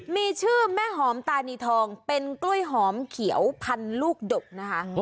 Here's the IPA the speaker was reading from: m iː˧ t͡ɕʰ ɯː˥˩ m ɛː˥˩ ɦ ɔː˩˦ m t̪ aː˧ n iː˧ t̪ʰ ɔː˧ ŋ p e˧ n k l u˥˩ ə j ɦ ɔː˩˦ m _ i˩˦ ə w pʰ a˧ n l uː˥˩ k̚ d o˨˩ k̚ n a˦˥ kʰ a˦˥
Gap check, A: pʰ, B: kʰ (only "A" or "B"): B